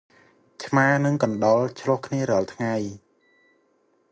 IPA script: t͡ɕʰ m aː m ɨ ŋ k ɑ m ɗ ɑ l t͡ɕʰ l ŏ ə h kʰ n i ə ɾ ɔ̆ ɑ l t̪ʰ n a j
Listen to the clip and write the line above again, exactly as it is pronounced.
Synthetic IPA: t͡ɕʰ m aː n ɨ ŋ k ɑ n ɗ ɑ l t͡ɕʰ l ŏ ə h kʰ n i ə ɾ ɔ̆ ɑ l t̪ʰ ŋ a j